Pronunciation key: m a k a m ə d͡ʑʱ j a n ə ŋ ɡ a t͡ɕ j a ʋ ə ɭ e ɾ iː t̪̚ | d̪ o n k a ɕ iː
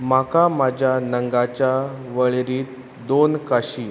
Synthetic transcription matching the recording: m a k a m a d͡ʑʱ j a n ə ŋ ɡ a t͡ɕ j a ʋ ə ɭ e ɾ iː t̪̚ | d̪ o n k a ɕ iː